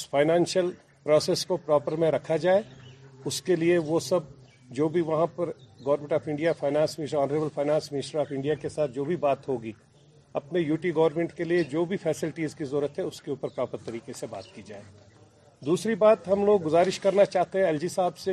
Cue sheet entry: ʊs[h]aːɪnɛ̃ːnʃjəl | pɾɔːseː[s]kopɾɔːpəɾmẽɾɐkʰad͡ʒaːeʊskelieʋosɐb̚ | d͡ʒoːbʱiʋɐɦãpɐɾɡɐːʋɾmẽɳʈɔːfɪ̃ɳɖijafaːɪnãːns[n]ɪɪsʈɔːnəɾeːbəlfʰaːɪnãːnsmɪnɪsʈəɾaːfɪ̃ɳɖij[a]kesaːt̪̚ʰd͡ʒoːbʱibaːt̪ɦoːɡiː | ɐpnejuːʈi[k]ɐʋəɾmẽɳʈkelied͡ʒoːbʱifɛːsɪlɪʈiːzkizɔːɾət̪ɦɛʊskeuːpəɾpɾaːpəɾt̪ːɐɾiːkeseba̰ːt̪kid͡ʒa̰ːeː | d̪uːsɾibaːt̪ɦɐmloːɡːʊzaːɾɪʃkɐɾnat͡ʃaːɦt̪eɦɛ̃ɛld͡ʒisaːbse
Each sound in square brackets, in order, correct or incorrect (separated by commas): incorrect, correct, incorrect, correct, incorrect